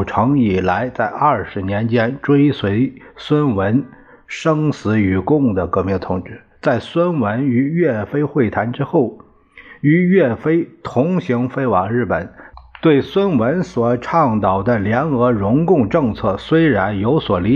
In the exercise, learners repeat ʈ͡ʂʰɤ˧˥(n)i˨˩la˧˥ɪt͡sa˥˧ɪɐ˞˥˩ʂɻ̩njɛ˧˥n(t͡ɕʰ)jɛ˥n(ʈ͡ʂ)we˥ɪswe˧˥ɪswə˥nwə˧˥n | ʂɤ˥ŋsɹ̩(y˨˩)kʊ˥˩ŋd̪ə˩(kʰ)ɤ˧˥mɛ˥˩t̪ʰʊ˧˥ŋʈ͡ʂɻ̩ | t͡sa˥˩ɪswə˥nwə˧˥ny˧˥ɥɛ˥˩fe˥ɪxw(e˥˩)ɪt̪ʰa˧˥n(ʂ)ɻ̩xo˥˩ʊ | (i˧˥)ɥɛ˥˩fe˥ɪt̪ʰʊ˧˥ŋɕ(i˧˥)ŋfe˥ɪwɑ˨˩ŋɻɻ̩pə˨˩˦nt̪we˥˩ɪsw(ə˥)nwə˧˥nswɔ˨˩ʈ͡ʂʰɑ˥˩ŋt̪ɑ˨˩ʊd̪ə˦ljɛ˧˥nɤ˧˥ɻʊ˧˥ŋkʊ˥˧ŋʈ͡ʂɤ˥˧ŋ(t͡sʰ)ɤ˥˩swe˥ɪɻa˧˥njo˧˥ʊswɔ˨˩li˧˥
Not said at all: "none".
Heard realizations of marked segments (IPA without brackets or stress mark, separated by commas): ŋ, t͡ɕ, ʈ͡ʂ, y˨˩, k, e˥˩, ʈ͡ʂ, y˧˥, i˧˥, ə˥, t͡sʰ